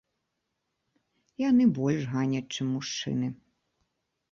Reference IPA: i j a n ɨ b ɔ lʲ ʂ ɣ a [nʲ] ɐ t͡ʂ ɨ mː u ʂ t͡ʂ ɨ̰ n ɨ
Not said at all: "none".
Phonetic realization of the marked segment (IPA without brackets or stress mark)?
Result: nʲ